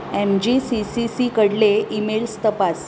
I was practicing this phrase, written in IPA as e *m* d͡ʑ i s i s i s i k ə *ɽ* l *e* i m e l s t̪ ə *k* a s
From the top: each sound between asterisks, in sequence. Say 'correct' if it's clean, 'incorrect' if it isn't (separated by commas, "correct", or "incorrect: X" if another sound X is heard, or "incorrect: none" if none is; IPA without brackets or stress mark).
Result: correct, correct, correct, incorrect: p